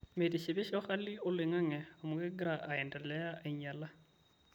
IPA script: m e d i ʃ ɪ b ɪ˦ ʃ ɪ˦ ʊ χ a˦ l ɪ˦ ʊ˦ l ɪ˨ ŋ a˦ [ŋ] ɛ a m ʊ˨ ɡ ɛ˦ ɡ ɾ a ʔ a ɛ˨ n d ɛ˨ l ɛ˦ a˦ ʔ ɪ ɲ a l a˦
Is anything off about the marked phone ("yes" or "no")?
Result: no